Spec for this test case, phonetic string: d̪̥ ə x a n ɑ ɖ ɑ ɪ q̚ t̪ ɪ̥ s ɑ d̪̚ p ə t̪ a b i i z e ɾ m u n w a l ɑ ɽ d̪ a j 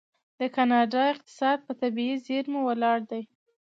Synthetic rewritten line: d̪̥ ə k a n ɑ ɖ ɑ ɪ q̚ t̪ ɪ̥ s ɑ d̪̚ p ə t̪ a b i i z e ɾ m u w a l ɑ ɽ d̪ a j